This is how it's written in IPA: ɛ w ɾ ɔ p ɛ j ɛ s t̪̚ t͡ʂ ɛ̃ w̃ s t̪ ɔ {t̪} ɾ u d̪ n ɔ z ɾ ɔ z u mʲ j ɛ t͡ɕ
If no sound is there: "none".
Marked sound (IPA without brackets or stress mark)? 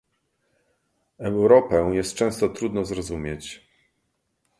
t̪